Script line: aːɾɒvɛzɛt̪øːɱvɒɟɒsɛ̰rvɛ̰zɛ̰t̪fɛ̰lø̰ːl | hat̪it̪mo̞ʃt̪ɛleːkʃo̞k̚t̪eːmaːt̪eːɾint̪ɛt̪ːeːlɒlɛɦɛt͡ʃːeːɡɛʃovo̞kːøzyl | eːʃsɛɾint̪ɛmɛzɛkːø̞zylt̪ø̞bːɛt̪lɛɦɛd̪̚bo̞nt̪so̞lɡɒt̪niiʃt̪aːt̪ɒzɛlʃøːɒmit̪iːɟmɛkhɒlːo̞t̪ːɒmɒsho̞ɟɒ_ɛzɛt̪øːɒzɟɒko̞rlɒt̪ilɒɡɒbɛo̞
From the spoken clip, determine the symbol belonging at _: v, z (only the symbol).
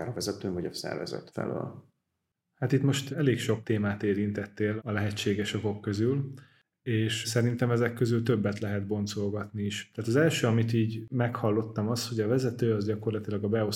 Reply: v